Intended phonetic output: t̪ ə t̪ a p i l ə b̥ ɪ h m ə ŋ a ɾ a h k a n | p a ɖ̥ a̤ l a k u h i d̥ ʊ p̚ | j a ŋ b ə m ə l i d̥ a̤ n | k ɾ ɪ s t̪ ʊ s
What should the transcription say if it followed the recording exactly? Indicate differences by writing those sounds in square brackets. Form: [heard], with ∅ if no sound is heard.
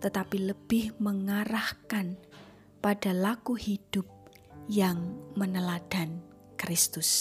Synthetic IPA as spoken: t̪ ə t̪ a p i l ə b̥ ɪ h m ə ŋ a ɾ a h k a n | p a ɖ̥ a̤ l a k u h i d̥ ʊ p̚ | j a ŋ [m] ə [n] ə l [a] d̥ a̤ n | k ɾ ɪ s t̪ ʊ s